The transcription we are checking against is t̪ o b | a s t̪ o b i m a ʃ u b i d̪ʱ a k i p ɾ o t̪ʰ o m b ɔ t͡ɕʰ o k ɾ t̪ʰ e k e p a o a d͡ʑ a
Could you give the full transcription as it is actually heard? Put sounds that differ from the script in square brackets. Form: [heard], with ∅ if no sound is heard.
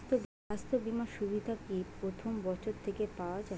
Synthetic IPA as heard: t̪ o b | a s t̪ o b i m a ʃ u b i d̪ʱ a k i p ɾ o t̪ʰ o m b ɔ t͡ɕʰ o [∅] ɾ t̪ʰ e k e p a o a d͡ʑ a